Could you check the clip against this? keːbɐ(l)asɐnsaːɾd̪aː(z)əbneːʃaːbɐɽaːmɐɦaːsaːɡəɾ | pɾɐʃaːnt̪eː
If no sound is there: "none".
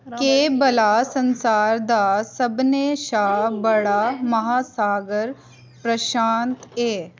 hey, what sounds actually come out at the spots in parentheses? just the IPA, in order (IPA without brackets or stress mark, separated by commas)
l, s